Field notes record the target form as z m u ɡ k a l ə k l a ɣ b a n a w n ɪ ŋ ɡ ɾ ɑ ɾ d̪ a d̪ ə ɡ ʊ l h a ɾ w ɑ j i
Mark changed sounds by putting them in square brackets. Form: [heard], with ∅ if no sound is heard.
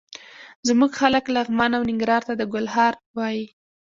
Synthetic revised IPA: z m u ɡ [x] a l ə k l a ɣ [m] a n a w n ɪ ŋ ɡ ɾ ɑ ɾ [t̪] a d̪ ə ɡ ʊ l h [ɑ] ɾ w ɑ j i